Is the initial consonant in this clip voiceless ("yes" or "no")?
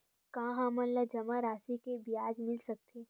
yes